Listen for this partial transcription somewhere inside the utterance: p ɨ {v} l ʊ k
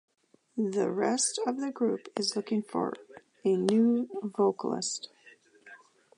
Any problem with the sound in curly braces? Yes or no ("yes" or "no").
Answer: yes